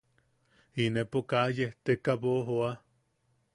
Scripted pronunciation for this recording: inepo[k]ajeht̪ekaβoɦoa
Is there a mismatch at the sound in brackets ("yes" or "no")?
no